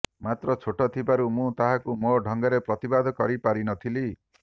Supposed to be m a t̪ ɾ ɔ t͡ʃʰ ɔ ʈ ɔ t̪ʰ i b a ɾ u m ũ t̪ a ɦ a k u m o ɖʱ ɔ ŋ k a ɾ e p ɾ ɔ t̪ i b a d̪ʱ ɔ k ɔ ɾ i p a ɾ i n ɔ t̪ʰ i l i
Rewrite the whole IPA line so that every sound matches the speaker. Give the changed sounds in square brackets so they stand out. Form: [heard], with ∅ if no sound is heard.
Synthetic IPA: m a t̪ ɾ ɔ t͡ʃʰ [o] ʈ ɔ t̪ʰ i b a ɾ u m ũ t̪ a ɦ a k u m o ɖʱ ɔ ŋ [ɡ] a ɾ e p ɾ ɔ t̪ i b a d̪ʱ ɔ k ɔ ɾ i p a ɾ i n ɔ t̪ʰ i l i